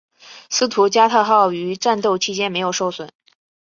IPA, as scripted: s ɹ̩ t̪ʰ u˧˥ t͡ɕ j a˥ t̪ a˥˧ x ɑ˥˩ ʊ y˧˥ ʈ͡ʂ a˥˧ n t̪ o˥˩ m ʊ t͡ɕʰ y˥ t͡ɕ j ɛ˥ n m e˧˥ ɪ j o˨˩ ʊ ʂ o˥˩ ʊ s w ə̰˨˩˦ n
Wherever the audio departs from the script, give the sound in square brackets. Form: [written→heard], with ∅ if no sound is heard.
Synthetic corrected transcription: s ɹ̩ t̪ʰ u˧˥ t͡ɕ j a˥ [t̪→t̪ʰ] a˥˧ x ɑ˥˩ ʊ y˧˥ ʈ͡ʂ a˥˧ n t̪ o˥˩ [m→∅] ʊ t͡ɕʰ [y˥→i˥] t͡ɕ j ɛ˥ n m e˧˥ ɪ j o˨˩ ʊ ʂ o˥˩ ʊ s w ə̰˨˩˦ n